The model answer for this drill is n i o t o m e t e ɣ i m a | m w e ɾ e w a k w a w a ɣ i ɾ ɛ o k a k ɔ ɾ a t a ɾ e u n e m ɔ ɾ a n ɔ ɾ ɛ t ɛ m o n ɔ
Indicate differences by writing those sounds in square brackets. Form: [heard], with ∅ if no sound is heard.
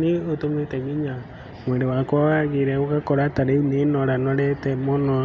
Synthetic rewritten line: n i o t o m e t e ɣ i [ɲ] a | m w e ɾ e w a k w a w a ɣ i ɾ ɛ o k a k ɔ ɾ a t a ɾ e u n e [n] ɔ ɾ a n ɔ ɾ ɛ t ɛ m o n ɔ